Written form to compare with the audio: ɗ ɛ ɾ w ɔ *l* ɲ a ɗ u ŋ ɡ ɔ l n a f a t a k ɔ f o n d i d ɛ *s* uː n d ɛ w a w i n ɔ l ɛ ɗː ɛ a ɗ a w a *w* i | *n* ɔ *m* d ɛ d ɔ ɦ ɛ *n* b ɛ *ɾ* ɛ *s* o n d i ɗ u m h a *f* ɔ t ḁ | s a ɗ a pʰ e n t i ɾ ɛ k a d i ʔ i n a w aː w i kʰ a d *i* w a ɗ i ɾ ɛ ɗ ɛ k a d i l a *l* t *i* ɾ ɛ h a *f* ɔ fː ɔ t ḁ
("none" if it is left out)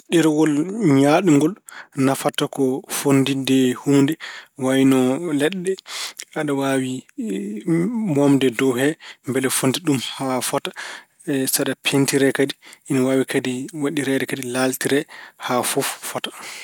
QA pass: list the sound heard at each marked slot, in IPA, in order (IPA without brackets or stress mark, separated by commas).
l, h, w, m, m, m, l, f, f, i, l, i, f